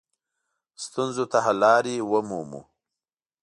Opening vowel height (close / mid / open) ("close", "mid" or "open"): close